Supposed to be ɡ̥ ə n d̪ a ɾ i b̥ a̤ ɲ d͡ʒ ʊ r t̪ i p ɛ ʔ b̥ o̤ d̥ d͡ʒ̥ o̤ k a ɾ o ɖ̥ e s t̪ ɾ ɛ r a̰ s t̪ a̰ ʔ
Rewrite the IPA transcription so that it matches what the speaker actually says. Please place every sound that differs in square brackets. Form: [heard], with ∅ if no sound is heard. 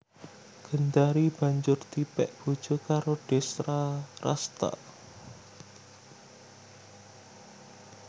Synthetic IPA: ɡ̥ ə n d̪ a ɾ i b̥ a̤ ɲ d͡ʒ ʊ r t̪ i p ɛ ʔ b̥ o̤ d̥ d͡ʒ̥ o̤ k a ɾ o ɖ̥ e s t̪ ɾ [a] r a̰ s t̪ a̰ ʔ